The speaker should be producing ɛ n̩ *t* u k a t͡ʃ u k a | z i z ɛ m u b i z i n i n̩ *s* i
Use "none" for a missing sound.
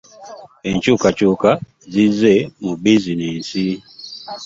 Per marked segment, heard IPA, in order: t͡ʃ, s

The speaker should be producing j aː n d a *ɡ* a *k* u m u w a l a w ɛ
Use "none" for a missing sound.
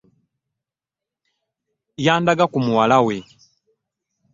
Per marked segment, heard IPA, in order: ɡ, k

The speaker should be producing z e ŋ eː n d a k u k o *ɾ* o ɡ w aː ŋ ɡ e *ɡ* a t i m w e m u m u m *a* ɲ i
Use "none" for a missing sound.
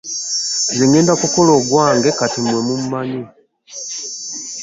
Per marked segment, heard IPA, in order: l, k, a

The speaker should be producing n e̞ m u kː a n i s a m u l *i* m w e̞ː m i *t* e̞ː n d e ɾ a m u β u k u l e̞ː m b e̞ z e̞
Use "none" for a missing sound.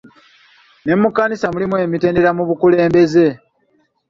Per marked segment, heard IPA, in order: i, t

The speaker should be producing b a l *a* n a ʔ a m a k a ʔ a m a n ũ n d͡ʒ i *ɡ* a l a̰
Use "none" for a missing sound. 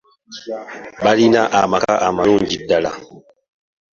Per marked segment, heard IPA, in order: i, d

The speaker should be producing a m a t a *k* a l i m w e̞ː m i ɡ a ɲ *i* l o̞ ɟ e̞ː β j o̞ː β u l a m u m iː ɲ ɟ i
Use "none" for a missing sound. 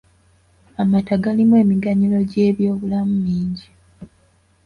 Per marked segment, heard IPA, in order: ɡ, i

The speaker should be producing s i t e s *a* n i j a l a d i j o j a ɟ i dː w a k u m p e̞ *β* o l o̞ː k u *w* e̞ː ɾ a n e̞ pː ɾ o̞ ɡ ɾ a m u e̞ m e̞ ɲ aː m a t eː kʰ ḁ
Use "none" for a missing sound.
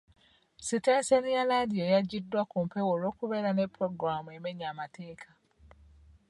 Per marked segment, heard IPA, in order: e, w, β

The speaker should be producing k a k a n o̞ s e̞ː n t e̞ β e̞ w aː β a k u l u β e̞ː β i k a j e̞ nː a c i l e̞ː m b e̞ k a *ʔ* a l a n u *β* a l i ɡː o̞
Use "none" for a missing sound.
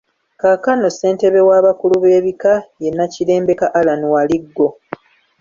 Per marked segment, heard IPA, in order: ʔ, w

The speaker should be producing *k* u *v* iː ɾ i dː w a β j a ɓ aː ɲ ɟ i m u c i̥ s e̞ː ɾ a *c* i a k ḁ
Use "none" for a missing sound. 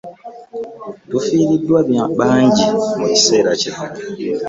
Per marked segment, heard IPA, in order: t, f, c

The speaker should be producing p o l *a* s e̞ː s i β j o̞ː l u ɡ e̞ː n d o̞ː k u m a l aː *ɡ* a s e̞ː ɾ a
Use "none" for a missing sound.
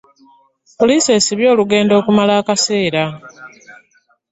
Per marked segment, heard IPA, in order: i, k

